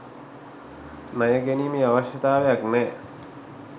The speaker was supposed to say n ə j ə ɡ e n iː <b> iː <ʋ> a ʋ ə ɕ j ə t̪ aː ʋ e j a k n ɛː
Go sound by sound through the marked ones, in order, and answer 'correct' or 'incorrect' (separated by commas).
incorrect, incorrect